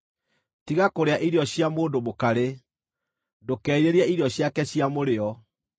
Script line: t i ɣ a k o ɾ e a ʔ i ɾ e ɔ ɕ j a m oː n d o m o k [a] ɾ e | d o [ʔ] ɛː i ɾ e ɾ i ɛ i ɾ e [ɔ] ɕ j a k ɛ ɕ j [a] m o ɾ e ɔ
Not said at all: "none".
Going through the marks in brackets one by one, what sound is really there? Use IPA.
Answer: a, k, ɔ, a

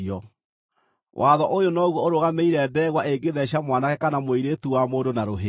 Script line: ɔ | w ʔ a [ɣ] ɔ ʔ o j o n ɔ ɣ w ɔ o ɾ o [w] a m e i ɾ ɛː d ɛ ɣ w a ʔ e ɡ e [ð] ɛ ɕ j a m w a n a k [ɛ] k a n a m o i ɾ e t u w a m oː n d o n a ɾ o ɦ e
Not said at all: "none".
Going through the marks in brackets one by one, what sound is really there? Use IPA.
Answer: ð, ɣ, ð, ɛ

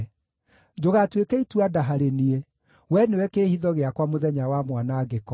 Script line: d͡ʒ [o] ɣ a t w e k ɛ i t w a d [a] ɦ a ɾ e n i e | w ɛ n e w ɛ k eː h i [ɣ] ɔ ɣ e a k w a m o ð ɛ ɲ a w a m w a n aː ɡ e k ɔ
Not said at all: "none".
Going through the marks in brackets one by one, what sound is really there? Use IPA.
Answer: o, a, ð

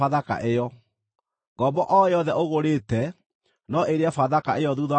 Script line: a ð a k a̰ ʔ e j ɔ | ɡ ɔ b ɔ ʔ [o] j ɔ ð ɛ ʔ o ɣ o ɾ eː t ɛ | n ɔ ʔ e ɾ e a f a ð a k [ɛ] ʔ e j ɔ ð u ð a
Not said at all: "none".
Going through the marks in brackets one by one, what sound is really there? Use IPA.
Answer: ɔ, a

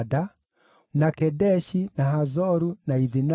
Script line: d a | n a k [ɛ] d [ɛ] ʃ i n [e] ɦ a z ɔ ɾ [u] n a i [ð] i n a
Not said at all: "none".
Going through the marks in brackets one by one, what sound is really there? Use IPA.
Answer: ɛ, ɛ, a, u, ð

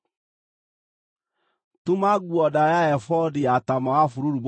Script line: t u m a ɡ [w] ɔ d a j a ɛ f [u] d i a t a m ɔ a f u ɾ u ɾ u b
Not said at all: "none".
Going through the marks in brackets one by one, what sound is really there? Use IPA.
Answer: u, ɔ

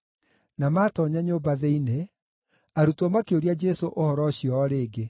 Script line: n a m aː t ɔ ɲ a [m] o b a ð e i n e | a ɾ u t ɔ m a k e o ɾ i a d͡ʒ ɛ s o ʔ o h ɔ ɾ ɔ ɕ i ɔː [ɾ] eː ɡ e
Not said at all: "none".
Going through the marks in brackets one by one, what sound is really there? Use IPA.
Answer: ɲ, ɾ

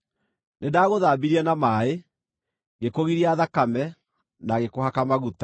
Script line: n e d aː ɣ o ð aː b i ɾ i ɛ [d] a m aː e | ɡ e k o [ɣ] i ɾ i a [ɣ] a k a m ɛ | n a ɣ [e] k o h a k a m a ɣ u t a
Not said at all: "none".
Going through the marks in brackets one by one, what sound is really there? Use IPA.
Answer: n, ɣ, ð, e

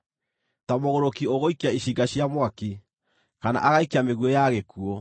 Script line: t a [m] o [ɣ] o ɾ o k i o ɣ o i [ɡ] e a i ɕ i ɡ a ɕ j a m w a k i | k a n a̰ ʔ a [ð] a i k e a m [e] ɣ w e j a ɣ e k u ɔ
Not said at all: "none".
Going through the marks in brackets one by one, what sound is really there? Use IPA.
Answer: m, ɣ, k, ɣ, e

